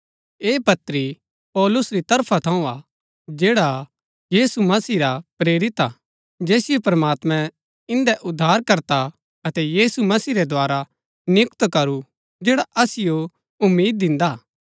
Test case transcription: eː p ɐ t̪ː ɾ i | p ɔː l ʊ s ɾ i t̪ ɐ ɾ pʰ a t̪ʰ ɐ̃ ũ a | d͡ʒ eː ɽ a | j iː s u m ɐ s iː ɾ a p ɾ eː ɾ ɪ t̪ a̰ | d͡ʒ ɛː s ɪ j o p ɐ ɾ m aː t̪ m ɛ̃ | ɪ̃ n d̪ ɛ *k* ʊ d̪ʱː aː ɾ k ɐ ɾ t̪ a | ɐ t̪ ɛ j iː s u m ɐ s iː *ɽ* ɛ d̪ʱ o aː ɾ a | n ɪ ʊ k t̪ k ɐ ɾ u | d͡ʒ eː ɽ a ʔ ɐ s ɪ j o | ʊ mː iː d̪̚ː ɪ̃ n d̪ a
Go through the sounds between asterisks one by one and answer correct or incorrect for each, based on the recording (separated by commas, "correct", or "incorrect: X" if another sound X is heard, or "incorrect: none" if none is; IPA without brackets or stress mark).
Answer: incorrect: ʔ, incorrect: ɾ